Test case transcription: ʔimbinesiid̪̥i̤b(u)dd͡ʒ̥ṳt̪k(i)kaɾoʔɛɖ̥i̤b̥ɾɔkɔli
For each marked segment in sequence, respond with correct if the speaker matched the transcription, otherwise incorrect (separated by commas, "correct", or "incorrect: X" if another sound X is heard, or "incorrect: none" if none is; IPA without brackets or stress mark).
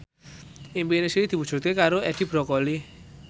correct, incorrect: e